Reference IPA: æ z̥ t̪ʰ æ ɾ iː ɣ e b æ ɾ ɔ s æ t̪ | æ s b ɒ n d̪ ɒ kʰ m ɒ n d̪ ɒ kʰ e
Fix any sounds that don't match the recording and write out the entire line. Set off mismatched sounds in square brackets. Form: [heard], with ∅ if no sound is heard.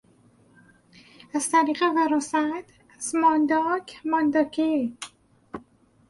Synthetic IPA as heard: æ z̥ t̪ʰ æ ɾ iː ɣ e [v] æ ɾ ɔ s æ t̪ | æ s [m] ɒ n d̪ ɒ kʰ m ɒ n d̪ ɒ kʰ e